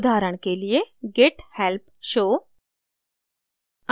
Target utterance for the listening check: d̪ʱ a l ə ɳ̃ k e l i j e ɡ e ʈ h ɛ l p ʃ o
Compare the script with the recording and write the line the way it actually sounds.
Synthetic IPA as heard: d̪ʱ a ɾ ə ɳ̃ k e l i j e ɡ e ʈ h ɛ l p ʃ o